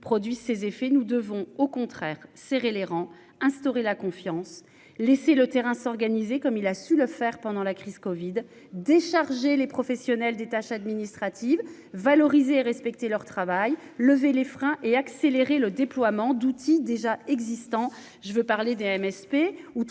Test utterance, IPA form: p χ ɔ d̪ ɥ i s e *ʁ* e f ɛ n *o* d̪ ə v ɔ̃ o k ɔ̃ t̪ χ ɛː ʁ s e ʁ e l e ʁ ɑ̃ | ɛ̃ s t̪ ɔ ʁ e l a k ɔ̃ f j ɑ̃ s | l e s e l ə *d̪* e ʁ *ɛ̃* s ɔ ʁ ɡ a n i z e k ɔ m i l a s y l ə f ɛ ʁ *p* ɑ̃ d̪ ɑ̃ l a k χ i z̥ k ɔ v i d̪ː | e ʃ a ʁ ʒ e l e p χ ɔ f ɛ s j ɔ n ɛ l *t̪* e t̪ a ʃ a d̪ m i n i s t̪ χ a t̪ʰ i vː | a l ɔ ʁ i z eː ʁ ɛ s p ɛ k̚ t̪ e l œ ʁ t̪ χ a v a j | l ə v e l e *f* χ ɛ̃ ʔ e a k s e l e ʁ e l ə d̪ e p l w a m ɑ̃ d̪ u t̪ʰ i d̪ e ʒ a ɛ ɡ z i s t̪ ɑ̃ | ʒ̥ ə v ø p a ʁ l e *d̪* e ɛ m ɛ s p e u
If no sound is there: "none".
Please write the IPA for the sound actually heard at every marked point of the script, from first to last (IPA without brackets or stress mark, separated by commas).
z, u, t̪, ɛ̃, p, d̪, f, d̪